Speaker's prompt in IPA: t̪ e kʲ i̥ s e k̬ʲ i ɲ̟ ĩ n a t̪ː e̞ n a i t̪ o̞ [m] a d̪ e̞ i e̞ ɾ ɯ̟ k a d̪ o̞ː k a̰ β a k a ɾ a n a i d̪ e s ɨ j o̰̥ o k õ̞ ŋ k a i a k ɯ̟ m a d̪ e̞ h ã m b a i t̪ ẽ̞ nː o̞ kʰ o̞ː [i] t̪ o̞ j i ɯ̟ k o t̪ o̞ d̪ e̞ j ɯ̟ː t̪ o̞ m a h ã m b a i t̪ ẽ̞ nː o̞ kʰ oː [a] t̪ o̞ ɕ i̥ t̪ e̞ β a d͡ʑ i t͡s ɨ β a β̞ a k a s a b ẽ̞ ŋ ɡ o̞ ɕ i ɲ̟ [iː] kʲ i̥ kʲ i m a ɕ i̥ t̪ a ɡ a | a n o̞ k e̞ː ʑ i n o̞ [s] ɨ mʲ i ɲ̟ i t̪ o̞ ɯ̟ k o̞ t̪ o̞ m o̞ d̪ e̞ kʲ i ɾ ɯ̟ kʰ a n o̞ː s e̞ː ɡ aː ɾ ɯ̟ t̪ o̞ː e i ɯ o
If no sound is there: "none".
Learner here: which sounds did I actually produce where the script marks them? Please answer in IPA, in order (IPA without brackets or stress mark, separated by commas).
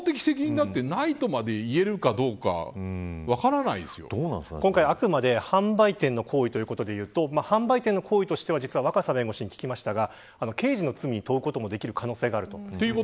m, i, i, i, t͡s